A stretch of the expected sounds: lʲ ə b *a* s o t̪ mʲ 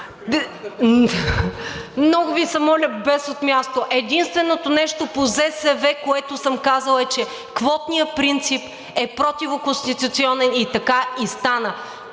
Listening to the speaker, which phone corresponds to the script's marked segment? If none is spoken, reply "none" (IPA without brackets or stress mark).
ɛ